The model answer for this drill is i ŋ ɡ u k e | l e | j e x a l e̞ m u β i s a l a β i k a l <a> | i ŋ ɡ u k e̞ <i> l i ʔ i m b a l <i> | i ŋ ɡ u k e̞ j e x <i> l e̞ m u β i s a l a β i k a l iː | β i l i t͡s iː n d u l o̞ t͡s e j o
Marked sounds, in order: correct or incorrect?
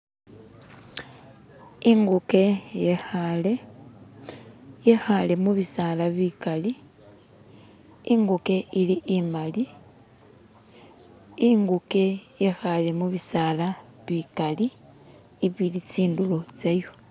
incorrect, correct, correct, incorrect

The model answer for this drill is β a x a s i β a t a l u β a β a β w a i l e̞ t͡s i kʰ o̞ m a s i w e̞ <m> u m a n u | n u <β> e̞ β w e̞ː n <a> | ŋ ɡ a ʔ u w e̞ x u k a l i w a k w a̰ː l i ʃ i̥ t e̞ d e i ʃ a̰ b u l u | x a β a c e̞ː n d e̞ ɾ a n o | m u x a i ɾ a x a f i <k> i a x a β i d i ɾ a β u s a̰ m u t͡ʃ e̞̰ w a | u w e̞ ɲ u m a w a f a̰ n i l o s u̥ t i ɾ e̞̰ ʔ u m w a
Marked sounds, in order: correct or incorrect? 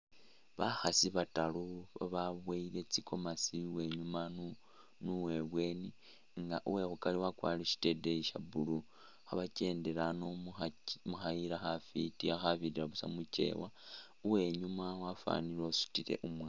incorrect, incorrect, incorrect, incorrect

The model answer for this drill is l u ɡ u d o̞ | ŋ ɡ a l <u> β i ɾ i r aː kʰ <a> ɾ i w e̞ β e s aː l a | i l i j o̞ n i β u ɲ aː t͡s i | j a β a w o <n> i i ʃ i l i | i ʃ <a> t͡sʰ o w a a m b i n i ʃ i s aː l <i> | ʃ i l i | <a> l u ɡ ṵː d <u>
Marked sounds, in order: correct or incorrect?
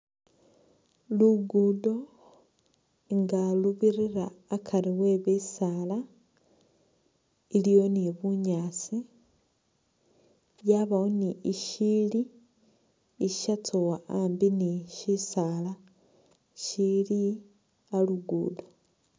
correct, correct, correct, correct, incorrect, correct, incorrect

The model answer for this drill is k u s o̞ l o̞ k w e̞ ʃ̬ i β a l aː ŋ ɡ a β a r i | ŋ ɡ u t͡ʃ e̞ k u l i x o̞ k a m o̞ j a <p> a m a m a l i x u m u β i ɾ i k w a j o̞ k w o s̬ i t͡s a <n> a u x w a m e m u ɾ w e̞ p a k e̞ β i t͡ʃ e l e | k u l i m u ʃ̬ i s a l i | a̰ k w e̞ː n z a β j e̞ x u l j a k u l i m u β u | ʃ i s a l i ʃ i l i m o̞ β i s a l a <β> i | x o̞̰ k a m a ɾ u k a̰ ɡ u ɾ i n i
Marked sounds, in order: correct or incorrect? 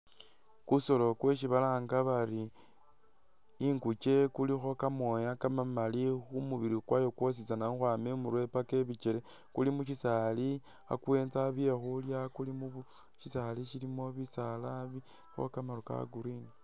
incorrect, correct, correct

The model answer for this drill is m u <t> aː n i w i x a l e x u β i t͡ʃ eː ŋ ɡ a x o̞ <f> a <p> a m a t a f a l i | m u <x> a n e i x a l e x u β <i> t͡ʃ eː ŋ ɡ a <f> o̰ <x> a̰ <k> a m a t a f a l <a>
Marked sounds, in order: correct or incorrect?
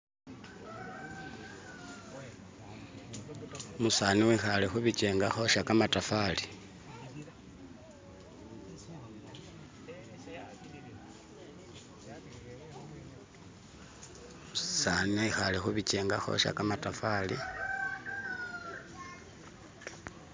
incorrect, incorrect, incorrect, incorrect, correct, incorrect, incorrect, correct, incorrect

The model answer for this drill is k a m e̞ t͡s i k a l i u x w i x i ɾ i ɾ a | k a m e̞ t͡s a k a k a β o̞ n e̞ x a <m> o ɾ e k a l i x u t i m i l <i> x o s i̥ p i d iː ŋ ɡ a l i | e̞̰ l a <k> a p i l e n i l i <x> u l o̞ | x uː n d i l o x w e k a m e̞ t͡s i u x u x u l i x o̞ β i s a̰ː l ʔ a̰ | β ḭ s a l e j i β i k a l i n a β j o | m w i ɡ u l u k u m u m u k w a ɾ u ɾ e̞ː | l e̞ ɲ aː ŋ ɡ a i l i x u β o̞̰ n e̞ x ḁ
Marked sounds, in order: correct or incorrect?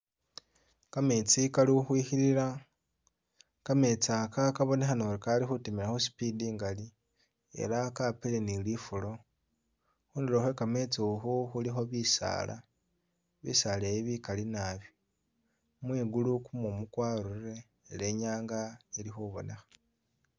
incorrect, incorrect, correct, incorrect

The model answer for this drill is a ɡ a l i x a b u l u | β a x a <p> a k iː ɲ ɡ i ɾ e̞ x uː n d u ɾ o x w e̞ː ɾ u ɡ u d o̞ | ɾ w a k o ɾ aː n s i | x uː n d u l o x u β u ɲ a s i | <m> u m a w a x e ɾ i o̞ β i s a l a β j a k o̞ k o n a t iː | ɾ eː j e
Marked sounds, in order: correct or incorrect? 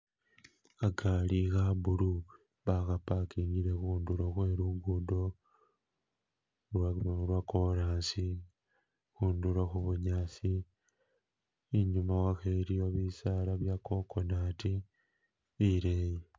correct, incorrect

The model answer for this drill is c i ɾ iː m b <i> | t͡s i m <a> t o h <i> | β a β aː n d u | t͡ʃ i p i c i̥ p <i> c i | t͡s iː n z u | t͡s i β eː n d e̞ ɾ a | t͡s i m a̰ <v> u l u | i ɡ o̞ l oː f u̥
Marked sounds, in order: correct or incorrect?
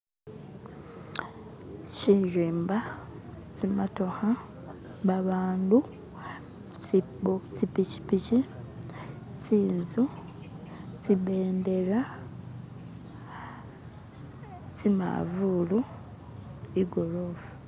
incorrect, correct, incorrect, correct, correct

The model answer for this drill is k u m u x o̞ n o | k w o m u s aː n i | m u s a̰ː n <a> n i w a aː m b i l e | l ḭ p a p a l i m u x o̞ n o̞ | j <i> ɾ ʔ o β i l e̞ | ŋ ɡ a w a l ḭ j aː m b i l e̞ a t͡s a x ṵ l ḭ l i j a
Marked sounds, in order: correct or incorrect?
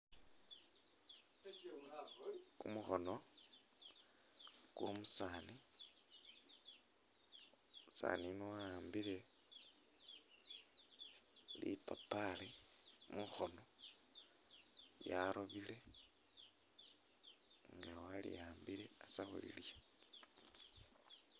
incorrect, incorrect

